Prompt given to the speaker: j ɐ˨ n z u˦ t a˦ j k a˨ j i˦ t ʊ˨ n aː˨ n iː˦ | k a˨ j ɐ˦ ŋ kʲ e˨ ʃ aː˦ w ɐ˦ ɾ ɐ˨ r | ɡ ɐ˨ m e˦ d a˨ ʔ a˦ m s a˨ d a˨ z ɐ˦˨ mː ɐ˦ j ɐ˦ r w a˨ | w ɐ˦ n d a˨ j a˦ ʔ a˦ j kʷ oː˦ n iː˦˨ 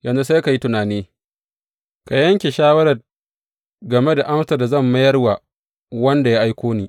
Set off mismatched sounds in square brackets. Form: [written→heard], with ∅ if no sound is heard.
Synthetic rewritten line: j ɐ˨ n z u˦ [t→s] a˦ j k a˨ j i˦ t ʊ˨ n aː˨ n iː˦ | k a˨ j ɐ˦ ŋ kʲ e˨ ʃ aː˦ w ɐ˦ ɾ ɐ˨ r | ɡ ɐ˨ m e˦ d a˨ ʔ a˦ m s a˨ d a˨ z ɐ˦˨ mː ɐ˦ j ɐ˦ r w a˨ | w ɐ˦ n d a˨ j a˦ ʔ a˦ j kʷ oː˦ n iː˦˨